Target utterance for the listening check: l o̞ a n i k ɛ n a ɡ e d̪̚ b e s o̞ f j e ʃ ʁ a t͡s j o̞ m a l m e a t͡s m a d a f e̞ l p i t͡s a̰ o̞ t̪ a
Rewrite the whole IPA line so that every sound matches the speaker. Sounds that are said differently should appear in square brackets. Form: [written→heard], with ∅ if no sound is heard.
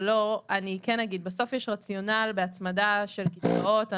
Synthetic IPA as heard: l o̞ a n i k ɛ n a ɡ [e→i] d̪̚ b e s o̞ f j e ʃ ʁ a t͡s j o̞ [m→n] a l [m→b] e a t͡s m a d a [f→ʃ] e̞ l [p→k] i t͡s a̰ o̞ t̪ a